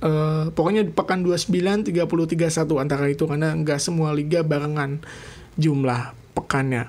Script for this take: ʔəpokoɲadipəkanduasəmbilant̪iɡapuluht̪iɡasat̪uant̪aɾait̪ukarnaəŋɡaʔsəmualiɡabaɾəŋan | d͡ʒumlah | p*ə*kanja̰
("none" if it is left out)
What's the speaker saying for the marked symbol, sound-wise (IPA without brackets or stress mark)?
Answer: ə